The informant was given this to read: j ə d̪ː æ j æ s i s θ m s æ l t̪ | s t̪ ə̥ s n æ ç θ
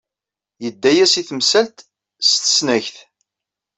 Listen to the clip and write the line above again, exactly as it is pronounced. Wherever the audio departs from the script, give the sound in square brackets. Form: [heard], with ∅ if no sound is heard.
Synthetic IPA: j ə d̪ː æ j æ s i [∅] θ m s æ l t̪ | s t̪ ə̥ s n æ ç θ

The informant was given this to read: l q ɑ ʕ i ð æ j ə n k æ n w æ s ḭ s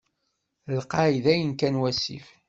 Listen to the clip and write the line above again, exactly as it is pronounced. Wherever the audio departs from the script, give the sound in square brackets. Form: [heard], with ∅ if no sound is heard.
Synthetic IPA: l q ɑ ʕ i ð æ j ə n k æ n w æ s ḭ [f]

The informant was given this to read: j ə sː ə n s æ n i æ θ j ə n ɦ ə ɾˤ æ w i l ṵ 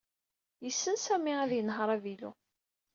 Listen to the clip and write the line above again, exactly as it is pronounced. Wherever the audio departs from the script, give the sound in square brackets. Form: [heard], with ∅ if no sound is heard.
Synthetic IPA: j ə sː ə n s æ [m] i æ [ð] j ə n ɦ ə ɾˤ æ [v] i l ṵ

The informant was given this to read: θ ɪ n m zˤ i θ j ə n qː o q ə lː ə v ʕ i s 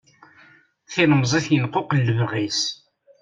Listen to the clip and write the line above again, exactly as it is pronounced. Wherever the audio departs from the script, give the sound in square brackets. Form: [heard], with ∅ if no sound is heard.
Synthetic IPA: θ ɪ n m zˤ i θ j ə n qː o q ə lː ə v [ʁ] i s

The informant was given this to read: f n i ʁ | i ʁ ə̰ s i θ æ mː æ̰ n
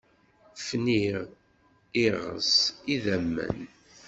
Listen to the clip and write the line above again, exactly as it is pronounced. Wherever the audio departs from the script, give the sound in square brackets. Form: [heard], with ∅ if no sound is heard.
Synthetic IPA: f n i ʁ | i ʁ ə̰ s i [ð] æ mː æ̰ n

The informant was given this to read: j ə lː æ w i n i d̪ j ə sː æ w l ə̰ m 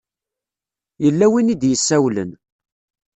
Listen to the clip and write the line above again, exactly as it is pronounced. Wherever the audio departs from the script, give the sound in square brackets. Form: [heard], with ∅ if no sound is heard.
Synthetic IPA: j ə lː æ w i n i d̪ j ə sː æ w l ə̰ [n]

